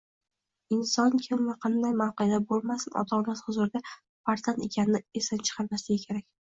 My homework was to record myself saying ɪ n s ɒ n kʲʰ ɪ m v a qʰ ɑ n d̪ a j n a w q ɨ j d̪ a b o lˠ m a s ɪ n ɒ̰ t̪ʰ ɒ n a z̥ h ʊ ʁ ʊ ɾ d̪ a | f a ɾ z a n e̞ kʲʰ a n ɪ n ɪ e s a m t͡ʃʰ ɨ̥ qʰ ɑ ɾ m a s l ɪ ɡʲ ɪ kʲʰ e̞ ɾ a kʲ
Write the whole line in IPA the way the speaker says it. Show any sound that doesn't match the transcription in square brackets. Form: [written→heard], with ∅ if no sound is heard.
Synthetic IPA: ɪ n s ɒ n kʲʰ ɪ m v a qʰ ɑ n d̪ a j [n→m] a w q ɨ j d̪ a b o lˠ m a s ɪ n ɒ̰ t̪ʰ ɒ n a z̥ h ʊ [ʁ→z] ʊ ɾ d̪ a | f a ɾ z a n e̞ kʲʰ a n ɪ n ɪ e s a [m→n] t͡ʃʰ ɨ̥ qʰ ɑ ɾ m a s l ɪ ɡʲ ɪ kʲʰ e̞ ɾ a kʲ